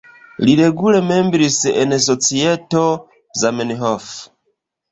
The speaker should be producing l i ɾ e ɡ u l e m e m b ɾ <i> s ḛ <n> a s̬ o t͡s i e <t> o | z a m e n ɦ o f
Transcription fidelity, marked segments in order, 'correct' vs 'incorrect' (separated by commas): correct, correct, correct